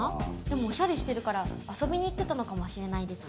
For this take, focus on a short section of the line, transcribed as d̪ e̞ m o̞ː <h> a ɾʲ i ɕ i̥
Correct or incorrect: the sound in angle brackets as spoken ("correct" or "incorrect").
incorrect